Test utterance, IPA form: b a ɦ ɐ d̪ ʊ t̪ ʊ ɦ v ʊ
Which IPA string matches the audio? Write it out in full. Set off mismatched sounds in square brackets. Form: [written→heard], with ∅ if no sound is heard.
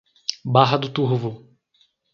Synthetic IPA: b a ɦ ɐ d̪ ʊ t̪ [ʊ→u] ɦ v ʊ